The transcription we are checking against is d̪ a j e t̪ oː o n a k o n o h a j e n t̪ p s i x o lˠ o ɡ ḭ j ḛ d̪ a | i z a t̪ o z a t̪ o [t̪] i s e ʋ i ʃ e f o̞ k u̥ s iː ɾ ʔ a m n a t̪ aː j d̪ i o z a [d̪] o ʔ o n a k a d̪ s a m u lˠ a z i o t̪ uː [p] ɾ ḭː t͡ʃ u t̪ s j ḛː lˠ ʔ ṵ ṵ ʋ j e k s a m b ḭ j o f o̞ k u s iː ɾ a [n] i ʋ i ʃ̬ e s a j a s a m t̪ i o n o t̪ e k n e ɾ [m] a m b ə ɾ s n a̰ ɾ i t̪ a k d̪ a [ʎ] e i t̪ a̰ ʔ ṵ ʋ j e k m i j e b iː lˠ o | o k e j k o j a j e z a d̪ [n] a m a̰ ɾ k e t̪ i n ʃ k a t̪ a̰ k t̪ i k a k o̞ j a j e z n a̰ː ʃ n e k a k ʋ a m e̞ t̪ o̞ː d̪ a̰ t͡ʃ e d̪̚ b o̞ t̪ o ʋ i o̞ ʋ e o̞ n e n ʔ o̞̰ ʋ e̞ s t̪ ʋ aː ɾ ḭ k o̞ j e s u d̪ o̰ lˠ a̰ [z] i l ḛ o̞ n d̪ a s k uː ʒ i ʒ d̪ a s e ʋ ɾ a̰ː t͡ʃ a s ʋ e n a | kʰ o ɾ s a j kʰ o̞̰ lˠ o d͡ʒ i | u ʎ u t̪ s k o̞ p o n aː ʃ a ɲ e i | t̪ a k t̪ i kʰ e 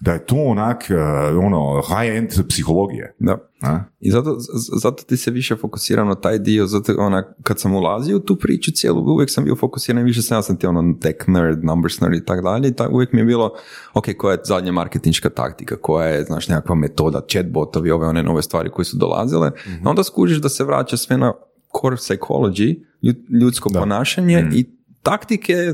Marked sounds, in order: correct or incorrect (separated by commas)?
correct, incorrect, correct, correct, incorrect, correct, incorrect, correct